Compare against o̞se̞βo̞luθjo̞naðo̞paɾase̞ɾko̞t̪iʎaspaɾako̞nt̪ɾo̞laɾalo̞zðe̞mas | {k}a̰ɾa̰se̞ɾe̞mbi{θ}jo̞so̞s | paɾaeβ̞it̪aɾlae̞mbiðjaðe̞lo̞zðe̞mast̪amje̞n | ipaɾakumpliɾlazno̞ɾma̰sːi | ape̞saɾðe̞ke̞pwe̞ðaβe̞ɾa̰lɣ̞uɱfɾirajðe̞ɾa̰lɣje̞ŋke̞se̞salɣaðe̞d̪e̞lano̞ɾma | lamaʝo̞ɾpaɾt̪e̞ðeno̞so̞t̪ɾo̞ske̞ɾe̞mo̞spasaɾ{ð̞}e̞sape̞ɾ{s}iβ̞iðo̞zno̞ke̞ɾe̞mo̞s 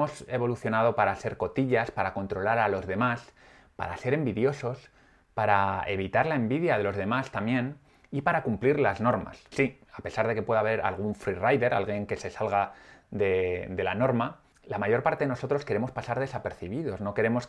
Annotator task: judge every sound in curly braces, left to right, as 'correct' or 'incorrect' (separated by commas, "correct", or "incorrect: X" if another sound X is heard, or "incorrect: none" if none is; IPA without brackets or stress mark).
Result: incorrect: p, incorrect: ð, correct, incorrect: θ